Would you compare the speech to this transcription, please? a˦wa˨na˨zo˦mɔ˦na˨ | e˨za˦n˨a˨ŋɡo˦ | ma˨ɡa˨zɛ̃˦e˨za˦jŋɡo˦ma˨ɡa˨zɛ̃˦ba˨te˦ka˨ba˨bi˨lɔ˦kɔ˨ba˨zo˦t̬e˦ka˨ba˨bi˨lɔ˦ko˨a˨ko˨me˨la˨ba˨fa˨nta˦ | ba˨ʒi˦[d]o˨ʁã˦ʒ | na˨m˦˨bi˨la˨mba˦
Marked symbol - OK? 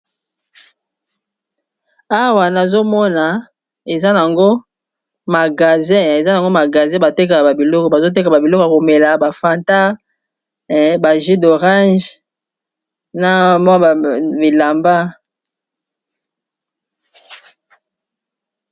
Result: yes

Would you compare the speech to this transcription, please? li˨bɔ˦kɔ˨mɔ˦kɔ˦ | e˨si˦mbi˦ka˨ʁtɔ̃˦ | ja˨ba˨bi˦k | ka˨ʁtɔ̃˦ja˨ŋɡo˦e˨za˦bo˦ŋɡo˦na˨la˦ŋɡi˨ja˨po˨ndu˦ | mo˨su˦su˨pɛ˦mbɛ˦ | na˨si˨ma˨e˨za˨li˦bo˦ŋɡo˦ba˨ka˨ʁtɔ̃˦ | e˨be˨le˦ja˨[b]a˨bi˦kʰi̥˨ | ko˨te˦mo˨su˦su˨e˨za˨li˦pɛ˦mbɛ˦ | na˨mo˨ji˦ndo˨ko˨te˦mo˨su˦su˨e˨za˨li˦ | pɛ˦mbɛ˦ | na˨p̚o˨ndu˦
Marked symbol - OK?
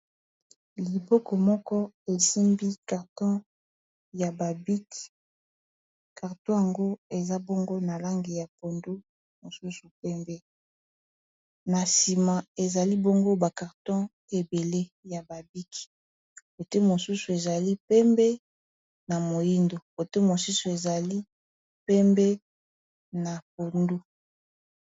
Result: yes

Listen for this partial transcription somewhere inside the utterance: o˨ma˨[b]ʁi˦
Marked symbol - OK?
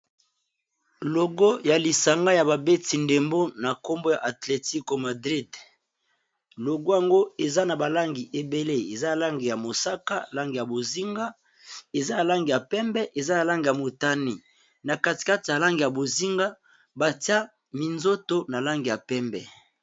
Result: no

